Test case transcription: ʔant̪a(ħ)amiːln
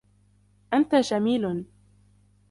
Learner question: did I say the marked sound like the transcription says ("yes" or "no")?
no